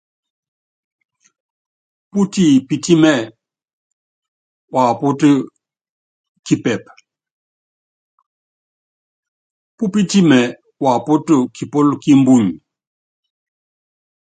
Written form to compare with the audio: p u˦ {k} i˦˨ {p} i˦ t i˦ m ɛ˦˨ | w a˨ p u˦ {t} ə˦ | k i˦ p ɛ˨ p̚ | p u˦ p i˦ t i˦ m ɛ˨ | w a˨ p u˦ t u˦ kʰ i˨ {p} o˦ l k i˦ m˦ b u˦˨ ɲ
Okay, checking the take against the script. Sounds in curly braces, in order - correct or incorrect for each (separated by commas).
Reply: incorrect, correct, correct, correct